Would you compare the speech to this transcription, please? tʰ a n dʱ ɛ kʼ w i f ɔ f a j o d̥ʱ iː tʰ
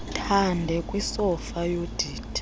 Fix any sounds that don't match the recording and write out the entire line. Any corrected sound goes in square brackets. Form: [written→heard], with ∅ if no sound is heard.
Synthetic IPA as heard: tʰ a n dʱ ɛ kʼ w i [f→s] ɔ f a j o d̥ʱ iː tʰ